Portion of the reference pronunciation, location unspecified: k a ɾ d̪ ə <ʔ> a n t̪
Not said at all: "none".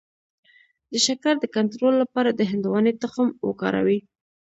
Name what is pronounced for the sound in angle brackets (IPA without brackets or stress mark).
k